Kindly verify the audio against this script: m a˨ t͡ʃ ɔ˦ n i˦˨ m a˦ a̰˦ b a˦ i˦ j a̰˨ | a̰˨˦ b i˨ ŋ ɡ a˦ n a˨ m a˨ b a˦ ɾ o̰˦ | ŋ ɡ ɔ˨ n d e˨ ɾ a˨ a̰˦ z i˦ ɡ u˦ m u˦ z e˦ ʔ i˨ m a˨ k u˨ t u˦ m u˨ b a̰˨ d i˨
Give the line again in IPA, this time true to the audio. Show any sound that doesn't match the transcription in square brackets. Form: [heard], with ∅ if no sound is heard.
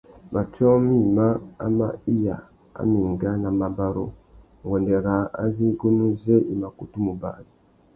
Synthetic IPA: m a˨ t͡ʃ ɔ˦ [m] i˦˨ m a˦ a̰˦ [m] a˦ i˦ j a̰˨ | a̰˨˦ [m] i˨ ŋ ɡ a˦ n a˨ m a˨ b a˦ ɾ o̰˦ | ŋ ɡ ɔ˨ n d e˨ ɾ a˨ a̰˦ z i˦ ɡ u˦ [n] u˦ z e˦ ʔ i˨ m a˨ k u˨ t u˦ m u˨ b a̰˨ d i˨